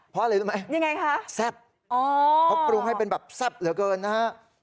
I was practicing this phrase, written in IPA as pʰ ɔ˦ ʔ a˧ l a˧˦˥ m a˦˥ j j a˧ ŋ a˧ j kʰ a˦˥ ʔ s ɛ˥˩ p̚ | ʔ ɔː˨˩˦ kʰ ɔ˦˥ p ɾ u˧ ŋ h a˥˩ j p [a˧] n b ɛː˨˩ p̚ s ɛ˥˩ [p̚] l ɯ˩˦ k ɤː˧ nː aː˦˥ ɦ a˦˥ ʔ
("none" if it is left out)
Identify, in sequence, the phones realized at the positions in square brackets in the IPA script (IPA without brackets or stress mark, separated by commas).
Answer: e˧, p̚